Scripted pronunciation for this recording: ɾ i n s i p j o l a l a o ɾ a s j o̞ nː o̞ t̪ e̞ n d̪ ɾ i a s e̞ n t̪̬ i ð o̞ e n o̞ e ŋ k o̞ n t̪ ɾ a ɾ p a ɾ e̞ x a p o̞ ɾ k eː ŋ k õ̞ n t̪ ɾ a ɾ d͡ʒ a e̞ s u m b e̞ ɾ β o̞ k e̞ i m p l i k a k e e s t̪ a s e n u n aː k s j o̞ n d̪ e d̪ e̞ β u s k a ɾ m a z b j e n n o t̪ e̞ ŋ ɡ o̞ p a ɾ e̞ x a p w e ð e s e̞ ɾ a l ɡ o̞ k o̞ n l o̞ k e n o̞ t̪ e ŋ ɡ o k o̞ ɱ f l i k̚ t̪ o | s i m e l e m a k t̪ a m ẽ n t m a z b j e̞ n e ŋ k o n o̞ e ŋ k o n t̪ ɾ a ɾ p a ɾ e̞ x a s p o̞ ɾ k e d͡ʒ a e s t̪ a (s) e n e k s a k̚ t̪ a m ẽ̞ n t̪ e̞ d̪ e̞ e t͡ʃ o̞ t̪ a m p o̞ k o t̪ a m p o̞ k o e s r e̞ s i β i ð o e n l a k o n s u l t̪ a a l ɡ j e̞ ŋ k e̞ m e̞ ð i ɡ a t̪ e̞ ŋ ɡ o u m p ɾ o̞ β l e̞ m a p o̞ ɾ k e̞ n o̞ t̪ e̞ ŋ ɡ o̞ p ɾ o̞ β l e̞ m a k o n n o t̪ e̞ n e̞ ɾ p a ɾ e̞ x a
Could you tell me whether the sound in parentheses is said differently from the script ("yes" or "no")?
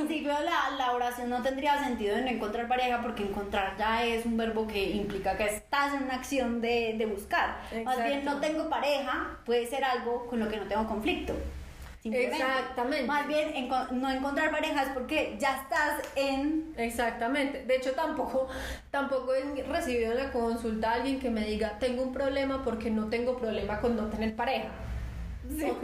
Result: no